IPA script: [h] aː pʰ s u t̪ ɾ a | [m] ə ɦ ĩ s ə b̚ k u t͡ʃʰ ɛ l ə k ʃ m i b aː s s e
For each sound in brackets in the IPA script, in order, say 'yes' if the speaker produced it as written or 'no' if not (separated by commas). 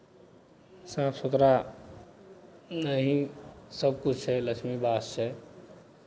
no, no